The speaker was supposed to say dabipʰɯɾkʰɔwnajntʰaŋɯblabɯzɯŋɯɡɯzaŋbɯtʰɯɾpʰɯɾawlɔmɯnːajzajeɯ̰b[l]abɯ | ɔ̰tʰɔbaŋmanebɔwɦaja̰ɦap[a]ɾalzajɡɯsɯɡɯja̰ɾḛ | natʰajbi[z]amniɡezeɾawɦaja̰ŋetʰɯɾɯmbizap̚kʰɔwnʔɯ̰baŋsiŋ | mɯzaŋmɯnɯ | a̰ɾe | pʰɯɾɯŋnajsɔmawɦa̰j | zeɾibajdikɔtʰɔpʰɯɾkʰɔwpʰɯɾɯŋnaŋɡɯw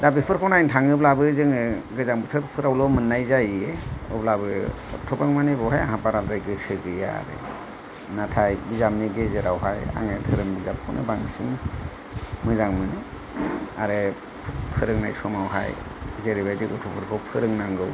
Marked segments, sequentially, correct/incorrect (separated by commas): correct, correct, correct